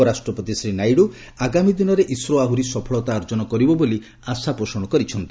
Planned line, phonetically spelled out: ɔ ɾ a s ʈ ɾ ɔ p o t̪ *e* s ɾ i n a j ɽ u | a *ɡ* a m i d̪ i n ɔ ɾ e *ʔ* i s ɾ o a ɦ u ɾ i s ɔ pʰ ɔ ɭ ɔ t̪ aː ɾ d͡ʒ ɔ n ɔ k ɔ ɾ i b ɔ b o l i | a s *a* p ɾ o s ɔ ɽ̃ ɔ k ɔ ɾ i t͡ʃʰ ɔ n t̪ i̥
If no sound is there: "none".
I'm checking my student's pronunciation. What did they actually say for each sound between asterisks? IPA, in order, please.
i, ɡ, ʔ, a

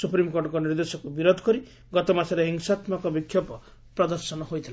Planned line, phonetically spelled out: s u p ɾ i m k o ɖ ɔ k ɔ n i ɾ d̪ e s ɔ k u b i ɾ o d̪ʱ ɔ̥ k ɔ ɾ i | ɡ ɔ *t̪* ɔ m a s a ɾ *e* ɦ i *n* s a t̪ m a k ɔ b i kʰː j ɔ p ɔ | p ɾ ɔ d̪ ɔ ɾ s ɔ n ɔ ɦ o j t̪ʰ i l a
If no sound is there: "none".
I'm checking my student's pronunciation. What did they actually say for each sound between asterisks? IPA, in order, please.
t̪, e, ŋ

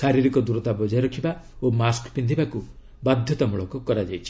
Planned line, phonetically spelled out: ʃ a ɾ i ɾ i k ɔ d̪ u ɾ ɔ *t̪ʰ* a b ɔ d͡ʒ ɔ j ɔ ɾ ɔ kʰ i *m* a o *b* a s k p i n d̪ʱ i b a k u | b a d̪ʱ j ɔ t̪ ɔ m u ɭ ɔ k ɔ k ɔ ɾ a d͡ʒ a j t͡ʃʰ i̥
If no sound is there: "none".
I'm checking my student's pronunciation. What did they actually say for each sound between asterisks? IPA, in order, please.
t̪, b, m

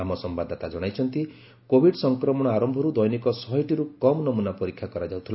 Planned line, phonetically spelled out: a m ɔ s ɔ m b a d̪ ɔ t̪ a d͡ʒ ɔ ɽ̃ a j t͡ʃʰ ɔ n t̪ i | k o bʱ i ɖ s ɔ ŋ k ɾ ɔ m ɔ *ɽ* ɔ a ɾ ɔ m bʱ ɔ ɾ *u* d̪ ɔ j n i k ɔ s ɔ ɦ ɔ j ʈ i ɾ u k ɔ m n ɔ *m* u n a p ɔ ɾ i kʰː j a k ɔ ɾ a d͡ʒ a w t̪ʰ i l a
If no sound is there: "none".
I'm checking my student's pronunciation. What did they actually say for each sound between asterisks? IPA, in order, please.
ɽ, u, m

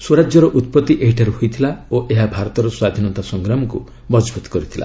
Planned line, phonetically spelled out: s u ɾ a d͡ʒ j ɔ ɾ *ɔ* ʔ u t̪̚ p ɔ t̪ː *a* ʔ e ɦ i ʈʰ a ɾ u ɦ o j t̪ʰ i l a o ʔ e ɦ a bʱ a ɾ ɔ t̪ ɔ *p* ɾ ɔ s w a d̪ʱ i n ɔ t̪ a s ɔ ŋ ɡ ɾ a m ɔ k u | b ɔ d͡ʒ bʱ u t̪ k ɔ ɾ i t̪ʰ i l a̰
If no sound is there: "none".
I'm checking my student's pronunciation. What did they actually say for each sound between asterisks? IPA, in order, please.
ɔ, i, none

